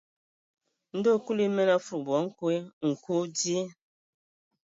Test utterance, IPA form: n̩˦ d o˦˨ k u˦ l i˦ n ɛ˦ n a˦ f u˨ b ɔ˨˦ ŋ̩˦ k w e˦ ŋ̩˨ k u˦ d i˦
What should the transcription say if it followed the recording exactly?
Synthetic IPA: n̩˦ d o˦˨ k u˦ l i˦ m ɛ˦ n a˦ f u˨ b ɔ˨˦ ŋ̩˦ k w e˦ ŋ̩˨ k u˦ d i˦